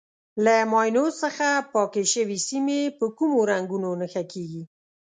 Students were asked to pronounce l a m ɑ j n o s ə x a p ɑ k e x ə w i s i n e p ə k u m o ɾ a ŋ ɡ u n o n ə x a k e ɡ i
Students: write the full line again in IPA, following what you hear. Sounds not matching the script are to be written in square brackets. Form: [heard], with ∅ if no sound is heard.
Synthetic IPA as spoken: l a m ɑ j n o s ə x a p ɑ k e [ʃ] ə w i s i [m] e p ə k u m o ɾ a ŋ ɡ u n o n ə x a k e ɡ i